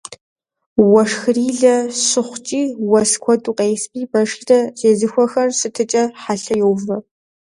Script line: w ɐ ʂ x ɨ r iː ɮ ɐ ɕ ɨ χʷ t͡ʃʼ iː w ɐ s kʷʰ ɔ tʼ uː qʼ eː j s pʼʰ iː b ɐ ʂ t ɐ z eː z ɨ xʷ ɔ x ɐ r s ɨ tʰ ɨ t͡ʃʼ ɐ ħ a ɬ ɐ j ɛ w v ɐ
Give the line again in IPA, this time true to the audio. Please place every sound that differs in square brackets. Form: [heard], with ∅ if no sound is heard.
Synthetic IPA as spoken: w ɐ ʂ x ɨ r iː ɮ ɐ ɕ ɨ χʷ t͡ʃʼ iː w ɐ s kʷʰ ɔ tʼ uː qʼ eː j s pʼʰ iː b ɐ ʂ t ɐ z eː z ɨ xʷ ɔ x ɐ r s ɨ tʰ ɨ t͡ʃʼ ɐ ħ a ɬ ɐ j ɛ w v ɐ

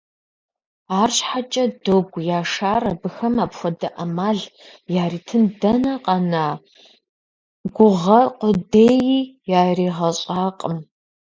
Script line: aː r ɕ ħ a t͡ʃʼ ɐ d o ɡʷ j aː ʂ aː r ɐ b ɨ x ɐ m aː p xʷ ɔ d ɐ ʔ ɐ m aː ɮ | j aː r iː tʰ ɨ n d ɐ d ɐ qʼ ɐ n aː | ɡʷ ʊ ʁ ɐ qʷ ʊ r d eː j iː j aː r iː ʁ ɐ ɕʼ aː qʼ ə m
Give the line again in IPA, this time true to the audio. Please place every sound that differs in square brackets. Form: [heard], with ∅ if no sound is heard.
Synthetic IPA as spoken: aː r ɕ ħ a t͡ʃʼ ɐ d o ɡʷ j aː ʂ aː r ɐ b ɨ x ɐ m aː p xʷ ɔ d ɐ ʔ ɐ m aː ɮ | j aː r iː tʰ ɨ n d ɐ [n] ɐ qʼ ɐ n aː | ɡʷ ʊ ʁ ɐ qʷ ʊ [∅] d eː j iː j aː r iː ʁ ɐ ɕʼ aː qʼ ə m

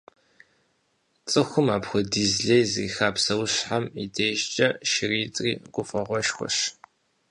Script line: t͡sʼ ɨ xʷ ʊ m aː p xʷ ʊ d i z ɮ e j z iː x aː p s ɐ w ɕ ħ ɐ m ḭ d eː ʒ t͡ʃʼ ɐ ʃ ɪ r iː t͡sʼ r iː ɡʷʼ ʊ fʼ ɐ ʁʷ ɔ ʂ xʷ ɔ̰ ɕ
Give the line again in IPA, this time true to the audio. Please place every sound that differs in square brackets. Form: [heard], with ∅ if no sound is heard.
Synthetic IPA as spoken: t͡sʼ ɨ xʷ ʊ m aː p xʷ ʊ d i z ɮ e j z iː x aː p s ɐ w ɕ ħ [a] m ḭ d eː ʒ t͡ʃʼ ɐ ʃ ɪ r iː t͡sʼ r iː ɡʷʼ ʊ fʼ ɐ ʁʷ ɔ [ʃ] xʷ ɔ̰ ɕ

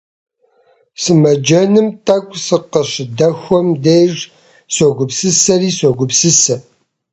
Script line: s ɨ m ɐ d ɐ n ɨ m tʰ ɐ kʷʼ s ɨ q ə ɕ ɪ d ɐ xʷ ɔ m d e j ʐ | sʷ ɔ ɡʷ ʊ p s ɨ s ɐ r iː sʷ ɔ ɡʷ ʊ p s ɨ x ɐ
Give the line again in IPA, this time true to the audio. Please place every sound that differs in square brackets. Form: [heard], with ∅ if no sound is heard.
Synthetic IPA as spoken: s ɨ m ɐ [d͡ʒ] ɐ n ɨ m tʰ ɐ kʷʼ s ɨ q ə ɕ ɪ d ɐ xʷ ɔ m d e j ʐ | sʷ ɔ ɡʷ ʊ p s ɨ s ɐ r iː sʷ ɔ ɡʷ ʊ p s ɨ [s] ɐ

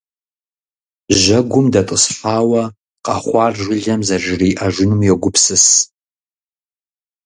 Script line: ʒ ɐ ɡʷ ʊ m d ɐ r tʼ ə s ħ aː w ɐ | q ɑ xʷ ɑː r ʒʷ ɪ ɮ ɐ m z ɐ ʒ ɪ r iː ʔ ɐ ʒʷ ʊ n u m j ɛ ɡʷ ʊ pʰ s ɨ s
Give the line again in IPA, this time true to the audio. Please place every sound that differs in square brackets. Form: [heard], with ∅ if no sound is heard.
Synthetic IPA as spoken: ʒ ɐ ɡʷ ʊ m d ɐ [∅] tʼ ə s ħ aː w ɐ | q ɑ [χʷ] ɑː r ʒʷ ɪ ɮ ɐ m z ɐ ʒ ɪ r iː ʔ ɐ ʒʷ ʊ n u m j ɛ ɡʷ ʊ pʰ s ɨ s

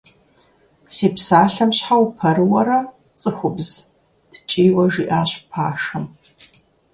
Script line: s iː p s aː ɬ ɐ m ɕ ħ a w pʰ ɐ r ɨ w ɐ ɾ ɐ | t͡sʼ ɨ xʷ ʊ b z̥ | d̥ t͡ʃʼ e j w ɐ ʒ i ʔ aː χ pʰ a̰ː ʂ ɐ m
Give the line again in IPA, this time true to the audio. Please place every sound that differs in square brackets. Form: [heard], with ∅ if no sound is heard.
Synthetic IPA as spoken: s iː p s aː ɬ ɐ m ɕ ħ a w pʰ ɐ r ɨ w ɐ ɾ ɐ | t͡sʼ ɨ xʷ ʊ b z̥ | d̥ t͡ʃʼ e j w ɐ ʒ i ʔ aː [ɕ] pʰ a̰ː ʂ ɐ m

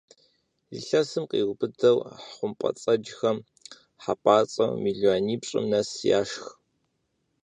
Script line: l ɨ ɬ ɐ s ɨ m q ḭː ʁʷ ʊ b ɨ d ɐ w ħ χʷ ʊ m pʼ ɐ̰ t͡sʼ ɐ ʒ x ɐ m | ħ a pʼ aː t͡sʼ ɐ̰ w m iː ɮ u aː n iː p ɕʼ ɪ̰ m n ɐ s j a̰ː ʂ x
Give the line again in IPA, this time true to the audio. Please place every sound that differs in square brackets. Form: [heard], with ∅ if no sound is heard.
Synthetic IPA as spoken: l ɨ ɬ ɐ s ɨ m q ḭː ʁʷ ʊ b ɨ d ɐ w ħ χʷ ʊ m pʼ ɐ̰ t͡sʼ ɐ [d͡ʒ] x ɐ m | ħ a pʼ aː t͡sʼ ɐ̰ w m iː ɮ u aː n iː p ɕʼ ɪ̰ m n ɐ s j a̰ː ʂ x

